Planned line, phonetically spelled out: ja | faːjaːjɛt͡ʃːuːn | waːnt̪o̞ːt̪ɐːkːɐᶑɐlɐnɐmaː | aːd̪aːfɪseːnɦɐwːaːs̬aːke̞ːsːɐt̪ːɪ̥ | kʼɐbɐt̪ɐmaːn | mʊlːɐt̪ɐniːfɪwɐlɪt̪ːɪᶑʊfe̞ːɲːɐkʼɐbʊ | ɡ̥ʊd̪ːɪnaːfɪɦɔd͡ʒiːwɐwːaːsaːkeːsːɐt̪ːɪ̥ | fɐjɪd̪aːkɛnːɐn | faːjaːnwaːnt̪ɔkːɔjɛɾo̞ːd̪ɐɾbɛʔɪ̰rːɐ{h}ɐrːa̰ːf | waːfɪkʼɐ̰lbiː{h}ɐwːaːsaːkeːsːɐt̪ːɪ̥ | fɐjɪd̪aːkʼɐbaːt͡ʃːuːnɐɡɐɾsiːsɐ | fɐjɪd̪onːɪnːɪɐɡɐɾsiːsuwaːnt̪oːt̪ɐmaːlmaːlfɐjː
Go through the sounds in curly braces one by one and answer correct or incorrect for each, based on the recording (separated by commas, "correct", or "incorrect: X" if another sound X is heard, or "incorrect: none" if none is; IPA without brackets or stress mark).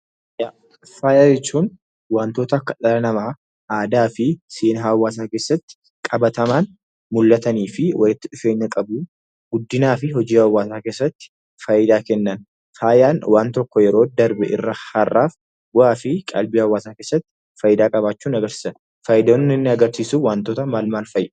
correct, correct